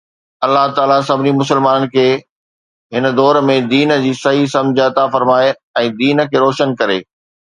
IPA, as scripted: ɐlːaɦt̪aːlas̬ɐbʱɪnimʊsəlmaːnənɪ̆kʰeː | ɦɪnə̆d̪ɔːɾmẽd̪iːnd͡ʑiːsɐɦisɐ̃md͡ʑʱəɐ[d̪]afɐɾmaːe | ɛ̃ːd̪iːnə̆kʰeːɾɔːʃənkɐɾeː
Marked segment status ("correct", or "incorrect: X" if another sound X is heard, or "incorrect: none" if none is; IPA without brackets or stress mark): incorrect: t̪